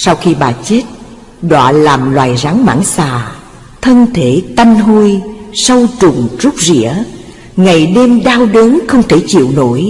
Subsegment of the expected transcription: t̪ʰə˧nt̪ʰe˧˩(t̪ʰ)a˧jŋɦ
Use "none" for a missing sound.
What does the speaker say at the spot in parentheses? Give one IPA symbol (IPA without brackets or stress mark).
t̪